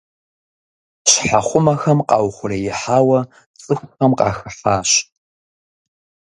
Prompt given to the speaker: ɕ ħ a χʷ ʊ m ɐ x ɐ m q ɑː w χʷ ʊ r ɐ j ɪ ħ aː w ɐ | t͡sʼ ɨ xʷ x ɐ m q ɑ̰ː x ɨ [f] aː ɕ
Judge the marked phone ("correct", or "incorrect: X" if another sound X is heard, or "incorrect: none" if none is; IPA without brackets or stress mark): incorrect: ħ